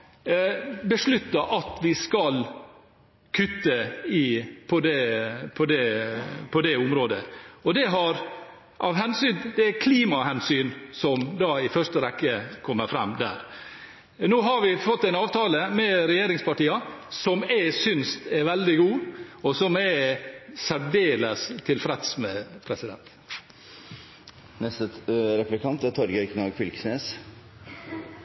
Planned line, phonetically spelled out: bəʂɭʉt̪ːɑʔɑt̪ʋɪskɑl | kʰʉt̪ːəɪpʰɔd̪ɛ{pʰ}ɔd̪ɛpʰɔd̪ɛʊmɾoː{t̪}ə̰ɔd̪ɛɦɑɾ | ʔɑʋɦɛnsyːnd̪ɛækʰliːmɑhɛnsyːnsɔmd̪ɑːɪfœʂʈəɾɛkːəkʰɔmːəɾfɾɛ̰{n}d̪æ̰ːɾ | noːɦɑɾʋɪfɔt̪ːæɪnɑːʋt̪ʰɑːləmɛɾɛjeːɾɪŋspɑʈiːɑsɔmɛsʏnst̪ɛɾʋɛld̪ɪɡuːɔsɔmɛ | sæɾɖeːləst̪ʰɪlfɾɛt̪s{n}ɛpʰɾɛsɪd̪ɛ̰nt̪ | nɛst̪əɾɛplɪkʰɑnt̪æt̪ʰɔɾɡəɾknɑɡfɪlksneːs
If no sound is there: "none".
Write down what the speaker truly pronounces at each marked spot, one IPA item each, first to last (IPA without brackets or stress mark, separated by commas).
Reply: pʰ, d̪, m, m